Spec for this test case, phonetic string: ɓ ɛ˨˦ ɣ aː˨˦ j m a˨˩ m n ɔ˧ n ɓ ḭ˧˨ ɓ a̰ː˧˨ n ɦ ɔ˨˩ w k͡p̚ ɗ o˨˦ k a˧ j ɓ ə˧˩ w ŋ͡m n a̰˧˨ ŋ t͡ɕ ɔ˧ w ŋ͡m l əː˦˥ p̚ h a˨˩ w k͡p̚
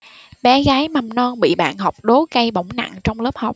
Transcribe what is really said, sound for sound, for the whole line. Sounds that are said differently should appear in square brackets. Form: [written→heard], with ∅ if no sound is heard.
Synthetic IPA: ɓ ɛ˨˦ ɣ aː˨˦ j m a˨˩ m n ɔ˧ n ɓ ḭ˧˨ ɓ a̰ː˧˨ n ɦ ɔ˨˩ w k͡p̚ ɗ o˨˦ k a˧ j ɓ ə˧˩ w ŋ͡m n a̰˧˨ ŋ t͡ɕ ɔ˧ w ŋ͡m l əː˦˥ p̚ h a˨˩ w k͡p̚

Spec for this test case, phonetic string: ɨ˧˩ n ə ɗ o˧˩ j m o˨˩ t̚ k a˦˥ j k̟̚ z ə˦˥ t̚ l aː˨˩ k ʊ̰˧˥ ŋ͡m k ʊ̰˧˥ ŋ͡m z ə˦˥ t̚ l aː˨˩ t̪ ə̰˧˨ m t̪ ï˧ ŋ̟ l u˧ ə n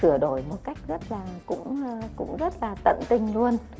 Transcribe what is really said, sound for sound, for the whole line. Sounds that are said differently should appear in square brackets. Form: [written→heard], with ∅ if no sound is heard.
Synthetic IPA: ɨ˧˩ [n→∅] ə ɗ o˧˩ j m o˨˩ t̚ k a˦˥ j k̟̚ z ə˦˥ t̚ l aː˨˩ k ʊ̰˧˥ ŋ͡m k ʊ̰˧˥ ŋ͡m z ə˦˥ t̚ l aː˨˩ t̪ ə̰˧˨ [m→n] t̪ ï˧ ŋ̟ l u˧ ə n

